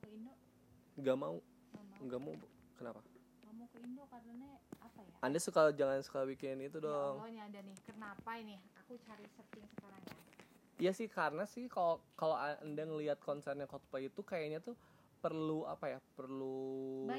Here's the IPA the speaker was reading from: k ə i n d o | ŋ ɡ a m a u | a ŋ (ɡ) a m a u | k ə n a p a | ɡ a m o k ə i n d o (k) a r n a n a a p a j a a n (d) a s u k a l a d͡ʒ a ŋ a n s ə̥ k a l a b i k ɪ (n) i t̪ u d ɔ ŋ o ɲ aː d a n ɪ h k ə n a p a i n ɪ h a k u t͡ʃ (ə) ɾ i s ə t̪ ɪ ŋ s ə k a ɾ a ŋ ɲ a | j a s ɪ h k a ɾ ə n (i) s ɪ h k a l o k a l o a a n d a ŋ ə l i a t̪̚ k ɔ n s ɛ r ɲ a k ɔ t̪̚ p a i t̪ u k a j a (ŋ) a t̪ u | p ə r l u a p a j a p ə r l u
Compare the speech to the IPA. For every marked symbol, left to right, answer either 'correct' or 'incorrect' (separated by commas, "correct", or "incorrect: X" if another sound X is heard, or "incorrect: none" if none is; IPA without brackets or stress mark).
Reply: correct, correct, correct, correct, incorrect: a, incorrect: a, incorrect: ɲ